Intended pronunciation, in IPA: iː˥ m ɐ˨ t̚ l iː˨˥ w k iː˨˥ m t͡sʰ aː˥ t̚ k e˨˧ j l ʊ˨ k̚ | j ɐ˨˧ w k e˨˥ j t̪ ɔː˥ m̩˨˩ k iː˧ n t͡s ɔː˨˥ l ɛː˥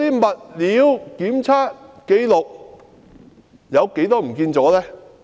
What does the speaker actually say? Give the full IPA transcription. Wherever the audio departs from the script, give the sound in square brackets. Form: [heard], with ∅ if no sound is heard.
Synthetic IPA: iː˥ m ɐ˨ t̚ l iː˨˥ w k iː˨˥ m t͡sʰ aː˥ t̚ k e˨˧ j l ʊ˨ k̚ | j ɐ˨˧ w k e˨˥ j t̪ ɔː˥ m̩˨˩ k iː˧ n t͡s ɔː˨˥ l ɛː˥